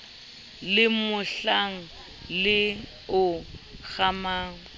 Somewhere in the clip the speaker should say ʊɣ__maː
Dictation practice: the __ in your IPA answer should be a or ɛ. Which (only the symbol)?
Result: a